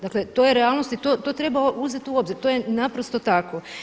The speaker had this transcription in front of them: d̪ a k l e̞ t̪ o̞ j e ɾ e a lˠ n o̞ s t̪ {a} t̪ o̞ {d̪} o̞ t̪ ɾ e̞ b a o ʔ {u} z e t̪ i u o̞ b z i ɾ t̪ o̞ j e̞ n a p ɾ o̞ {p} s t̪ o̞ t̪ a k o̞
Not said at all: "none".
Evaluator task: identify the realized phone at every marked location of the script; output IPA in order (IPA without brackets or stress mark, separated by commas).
i, t̪, u, none